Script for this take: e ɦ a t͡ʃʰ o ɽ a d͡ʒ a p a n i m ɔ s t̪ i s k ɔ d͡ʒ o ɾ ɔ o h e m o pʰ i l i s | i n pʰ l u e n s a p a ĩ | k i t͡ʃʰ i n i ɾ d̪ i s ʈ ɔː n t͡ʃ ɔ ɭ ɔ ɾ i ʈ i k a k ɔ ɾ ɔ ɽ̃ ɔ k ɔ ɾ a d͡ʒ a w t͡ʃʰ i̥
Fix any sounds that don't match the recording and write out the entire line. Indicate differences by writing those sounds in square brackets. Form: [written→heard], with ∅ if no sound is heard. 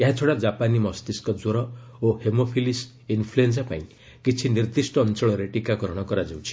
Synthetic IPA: e ɦ a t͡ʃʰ o ɽ a d͡ʒ a p a n i m ɔ s t̪ i s k ɔ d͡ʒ o ɾ ɔ o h e m o pʰ i l i s | i n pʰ l u e n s a p a ĩ | k i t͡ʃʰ i n i ɾ d̪ i s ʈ ɔː n t͡ʃ ɔ ɭ ɔ ɾ [i→e] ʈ i k a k ɔ ɾ ɔ ɽ̃ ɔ k ɔ ɾ a d͡ʒ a w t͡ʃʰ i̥